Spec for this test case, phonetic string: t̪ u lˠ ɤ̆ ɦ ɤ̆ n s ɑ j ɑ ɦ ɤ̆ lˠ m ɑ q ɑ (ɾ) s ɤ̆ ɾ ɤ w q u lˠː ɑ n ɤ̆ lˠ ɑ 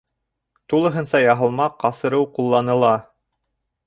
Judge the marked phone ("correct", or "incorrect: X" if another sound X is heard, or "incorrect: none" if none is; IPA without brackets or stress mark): incorrect: none